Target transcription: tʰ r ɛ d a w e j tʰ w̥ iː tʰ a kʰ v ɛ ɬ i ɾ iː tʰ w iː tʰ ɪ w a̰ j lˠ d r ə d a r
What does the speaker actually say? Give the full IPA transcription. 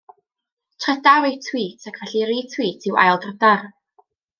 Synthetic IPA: tʰ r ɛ d a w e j tʰ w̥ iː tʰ a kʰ v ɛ ɬ i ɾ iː tʰ w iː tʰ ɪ w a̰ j lˠ d r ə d a r